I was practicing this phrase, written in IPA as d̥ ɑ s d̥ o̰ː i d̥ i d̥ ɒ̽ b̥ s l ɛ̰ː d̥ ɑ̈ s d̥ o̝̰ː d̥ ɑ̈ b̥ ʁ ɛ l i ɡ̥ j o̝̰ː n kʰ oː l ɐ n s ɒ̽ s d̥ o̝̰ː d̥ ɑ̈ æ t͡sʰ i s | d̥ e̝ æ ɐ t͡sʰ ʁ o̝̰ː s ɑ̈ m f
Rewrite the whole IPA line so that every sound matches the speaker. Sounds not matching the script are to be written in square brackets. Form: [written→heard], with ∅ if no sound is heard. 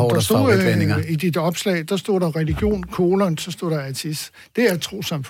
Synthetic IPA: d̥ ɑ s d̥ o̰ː i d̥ i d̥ ɒ̽ b̥ s l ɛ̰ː d̥ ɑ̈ s d̥ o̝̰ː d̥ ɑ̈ [b̥→∅] ʁ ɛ l i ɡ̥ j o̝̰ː n kʰ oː l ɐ n s ɒ̽ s d̥ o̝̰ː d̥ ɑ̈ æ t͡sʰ i s | d̥ e̝ æ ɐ t͡sʰ ʁ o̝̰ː s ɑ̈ m f